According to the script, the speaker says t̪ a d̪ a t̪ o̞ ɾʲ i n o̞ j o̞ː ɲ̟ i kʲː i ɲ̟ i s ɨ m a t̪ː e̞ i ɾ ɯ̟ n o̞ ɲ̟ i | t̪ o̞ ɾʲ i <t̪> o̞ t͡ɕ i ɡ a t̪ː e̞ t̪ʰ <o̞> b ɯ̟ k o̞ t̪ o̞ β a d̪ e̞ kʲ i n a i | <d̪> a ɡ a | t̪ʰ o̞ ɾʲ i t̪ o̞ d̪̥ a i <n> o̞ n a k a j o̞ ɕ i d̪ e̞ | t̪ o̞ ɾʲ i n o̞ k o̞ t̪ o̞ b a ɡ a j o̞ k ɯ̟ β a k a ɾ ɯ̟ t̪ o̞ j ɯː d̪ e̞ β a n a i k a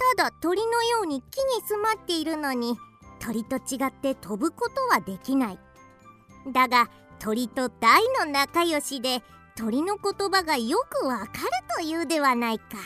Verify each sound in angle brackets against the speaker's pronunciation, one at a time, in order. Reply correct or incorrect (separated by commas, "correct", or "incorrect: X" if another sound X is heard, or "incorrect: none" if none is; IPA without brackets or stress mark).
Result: correct, correct, correct, correct